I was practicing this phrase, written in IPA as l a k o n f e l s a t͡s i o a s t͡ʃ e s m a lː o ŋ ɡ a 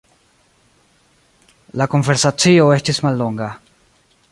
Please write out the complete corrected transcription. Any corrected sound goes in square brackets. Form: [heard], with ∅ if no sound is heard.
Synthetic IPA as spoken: l a k o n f e [ɾ] s a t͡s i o [e] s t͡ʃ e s m a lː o ŋ ɡ a